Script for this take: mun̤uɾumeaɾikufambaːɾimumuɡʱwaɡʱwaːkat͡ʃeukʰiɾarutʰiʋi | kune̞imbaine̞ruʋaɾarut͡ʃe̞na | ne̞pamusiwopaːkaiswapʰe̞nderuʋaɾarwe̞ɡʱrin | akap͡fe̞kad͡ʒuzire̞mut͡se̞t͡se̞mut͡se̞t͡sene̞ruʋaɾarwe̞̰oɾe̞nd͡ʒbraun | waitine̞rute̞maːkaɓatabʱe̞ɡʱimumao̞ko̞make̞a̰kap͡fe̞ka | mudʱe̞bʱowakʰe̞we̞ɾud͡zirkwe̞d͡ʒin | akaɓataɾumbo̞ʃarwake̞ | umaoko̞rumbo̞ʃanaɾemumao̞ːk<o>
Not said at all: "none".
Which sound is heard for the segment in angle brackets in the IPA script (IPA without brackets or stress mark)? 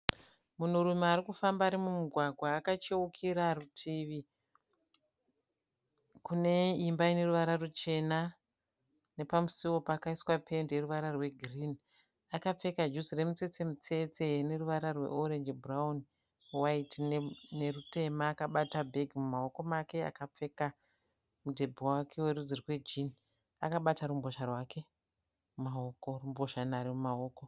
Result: o